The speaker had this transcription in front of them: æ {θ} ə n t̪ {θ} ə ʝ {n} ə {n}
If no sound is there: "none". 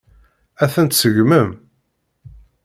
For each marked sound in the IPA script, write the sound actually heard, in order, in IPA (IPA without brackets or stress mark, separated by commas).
θ, s, m, m